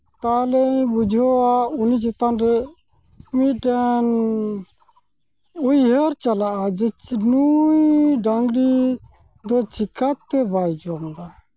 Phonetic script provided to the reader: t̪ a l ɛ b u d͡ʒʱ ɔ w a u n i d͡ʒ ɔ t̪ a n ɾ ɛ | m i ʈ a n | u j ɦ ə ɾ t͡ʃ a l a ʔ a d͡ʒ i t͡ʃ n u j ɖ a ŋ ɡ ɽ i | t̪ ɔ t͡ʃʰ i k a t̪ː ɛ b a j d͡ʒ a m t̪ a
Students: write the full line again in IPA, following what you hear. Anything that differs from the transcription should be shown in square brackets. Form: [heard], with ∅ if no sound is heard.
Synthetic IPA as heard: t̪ a l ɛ b u d͡ʒʱ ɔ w a u n i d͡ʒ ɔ t̪ a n ɾ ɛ | m i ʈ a n | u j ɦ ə ɾ t͡ʃ a l a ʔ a d͡ʒ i t͡ʃ n u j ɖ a ŋ ɡ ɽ i | [d̪] ɔ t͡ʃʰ i k a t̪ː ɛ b a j d͡ʒ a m [d̪] a